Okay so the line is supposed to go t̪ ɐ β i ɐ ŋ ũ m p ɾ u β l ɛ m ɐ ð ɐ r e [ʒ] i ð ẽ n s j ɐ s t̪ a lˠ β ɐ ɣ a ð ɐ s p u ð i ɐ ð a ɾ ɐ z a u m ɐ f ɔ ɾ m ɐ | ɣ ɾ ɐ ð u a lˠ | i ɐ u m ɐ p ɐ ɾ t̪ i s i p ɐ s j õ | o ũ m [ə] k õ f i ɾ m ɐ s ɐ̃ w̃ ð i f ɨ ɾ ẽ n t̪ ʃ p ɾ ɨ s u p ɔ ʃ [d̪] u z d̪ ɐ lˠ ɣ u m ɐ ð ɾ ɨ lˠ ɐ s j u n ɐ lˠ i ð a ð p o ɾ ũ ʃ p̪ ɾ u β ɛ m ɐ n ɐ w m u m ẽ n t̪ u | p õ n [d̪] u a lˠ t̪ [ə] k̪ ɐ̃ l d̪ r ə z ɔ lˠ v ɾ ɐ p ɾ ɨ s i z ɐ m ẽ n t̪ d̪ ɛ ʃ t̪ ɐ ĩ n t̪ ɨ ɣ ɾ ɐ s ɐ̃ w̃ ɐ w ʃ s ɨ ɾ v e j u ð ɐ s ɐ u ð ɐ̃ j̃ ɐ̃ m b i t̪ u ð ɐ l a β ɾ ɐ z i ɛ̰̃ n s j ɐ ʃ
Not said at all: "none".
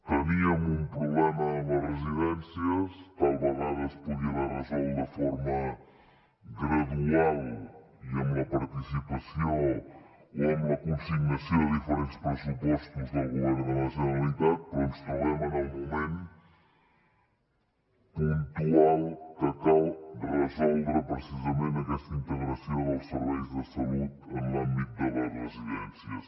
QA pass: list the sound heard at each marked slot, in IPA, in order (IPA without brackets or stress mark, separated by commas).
z, ɐ, t̪, t̪, ɐ